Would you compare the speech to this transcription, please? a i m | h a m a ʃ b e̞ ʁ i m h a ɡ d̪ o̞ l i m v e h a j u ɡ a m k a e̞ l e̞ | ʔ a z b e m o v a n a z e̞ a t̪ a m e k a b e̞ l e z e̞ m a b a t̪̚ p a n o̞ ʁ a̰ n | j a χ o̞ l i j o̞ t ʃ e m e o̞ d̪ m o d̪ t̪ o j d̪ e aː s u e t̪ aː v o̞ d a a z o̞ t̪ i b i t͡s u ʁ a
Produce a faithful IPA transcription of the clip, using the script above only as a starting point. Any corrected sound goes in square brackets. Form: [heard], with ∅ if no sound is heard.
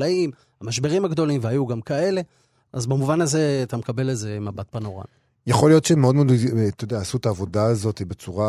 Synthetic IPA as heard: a i m | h a m a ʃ b e̞ ʁ i m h a ɡ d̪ o̞ l i m v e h a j u ɡ a m k a e̞ l e̞ | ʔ a z b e m [u] v a n a z e̞ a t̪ a m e k a b e̞ l e z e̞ m a b a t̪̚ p a n o̞ ʁ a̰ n | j a χ o̞ l i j o̞ t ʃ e m e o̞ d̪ m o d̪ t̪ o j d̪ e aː s u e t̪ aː v o̞ d a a z o̞ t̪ i b [e] t͡s u ʁ a